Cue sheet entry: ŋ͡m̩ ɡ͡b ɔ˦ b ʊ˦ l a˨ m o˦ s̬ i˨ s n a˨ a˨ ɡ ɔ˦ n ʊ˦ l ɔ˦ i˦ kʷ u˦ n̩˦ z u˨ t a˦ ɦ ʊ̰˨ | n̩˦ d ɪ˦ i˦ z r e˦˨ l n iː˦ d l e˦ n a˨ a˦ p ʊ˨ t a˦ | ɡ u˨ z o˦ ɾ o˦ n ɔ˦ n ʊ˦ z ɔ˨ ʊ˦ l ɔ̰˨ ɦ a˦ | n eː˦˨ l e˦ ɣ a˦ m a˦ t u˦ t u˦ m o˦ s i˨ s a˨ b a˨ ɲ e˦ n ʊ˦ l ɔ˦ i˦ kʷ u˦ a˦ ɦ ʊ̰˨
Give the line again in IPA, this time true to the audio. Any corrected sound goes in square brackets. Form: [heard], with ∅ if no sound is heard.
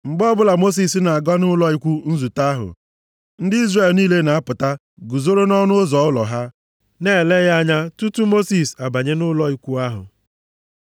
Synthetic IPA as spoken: ŋ͡m̩ ɡ͡b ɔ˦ b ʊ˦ l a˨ m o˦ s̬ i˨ s n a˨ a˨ ɡ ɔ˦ n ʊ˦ l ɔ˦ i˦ kʷ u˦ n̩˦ z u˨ t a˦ ɦ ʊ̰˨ | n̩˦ d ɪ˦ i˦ z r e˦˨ l n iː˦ [∅] l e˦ n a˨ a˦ p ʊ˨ t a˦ | ɡ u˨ z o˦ ɾ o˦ n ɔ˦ n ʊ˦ z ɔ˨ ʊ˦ l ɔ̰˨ ɦ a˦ | n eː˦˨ l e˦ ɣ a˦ [ɲ] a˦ t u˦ t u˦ m o˦ s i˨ s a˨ b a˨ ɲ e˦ n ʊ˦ l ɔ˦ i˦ kʷ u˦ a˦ ɦ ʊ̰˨